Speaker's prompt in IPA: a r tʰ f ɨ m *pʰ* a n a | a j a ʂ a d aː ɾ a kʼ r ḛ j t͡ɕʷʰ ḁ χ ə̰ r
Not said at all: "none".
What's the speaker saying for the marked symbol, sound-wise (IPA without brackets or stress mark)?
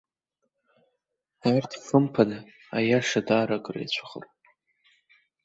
pʰ